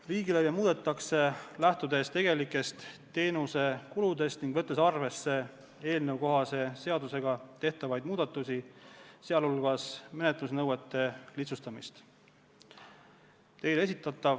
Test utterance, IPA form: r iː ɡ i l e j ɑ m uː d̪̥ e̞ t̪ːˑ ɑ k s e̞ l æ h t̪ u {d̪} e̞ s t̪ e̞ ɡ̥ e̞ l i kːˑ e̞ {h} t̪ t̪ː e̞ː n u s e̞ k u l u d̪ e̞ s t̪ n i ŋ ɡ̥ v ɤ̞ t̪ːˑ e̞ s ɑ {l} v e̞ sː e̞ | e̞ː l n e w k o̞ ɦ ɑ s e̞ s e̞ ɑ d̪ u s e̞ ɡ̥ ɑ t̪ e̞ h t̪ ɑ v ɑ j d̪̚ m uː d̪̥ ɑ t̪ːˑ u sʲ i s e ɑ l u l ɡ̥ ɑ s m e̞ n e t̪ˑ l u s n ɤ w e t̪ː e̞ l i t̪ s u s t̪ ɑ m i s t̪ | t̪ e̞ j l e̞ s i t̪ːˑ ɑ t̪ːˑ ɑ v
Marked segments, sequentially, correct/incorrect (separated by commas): correct, incorrect, incorrect